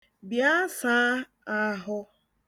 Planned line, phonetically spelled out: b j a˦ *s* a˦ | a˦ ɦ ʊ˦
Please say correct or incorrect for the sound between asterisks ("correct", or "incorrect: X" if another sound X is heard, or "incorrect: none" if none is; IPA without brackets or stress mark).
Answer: correct